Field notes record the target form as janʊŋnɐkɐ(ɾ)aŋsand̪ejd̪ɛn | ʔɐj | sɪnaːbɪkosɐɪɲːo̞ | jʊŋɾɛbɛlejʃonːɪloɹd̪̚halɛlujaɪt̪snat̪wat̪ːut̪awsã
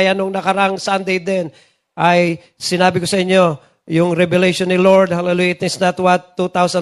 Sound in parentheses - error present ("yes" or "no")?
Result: no